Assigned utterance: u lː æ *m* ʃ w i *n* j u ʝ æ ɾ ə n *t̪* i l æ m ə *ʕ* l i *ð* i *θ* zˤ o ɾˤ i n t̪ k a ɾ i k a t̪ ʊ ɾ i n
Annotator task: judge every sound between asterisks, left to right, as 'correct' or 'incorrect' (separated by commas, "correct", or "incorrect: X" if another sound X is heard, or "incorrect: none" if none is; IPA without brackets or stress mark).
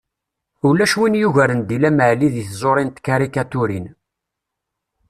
incorrect: none, correct, incorrect: d̪, correct, correct, correct